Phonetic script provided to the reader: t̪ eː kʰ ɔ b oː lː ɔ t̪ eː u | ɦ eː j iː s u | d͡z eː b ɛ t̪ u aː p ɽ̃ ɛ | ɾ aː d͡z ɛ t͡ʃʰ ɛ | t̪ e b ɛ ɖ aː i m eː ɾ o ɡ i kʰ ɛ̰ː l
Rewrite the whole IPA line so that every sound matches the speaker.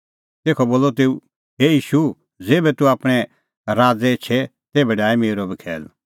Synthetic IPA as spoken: t̪ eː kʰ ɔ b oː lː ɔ t̪ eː u | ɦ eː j iː ʃ u | d͡z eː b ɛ t̪ u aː p ɽ̃ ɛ | ɾ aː d͡z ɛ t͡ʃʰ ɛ | t̪ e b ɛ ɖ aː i m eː ɾ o b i kʰ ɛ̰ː l